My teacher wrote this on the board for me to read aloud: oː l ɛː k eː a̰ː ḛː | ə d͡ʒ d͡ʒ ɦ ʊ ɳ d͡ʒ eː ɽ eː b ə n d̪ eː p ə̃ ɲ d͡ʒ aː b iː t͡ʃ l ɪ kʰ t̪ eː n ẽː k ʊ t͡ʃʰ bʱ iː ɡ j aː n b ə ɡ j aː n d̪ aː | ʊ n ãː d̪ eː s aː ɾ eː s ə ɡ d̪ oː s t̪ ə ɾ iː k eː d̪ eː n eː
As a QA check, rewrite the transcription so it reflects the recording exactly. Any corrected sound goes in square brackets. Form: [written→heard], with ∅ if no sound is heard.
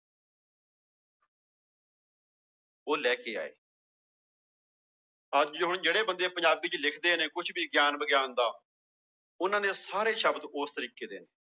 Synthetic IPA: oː l ɛː k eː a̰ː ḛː | ə d͡ʒ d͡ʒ ɦ ʊ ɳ d͡ʒ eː ɽ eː b ə n d̪ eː p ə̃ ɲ d͡ʒ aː b iː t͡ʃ l ɪ kʰ [t̪→d̪] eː n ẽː k ʊ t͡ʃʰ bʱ iː ɡ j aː n b ə ɡ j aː n d̪ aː | ʊ n ãː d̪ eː s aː ɾ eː [s→ʃ] ə [ɡ→b] d̪ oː s t̪ ə ɾ iː k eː d̪ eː n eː